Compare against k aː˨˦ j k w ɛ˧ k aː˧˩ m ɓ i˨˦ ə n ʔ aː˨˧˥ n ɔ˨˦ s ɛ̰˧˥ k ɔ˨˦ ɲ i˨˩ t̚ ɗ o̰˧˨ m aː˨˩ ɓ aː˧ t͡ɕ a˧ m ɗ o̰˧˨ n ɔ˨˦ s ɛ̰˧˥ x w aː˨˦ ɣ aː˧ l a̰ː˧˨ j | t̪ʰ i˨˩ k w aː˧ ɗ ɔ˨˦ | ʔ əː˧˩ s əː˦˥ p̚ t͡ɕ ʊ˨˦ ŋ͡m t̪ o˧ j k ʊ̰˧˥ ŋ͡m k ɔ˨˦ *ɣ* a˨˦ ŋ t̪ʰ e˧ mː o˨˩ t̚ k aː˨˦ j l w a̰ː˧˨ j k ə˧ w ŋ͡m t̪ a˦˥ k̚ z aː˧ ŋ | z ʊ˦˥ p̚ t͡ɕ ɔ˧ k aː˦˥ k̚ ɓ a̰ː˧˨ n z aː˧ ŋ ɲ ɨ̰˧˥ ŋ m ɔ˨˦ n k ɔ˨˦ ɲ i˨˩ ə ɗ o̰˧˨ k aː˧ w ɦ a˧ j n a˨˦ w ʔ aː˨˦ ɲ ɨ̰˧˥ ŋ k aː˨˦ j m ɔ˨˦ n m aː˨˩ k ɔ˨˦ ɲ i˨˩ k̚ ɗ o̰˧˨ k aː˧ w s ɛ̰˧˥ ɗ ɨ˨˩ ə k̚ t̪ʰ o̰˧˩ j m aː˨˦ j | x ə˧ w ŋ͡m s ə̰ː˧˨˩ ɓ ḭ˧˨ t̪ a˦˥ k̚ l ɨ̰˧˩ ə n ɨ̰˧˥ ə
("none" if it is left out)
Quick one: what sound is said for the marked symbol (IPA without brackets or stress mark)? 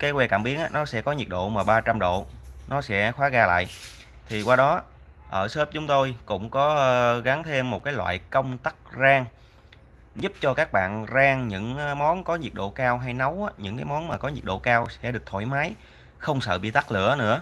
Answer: ɣ